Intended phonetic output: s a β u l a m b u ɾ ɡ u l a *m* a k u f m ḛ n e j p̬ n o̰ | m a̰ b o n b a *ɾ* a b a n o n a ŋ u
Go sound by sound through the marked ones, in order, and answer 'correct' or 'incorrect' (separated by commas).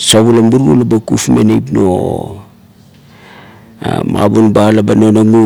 incorrect, incorrect